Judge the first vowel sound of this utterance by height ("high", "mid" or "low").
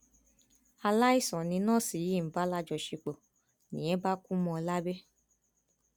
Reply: low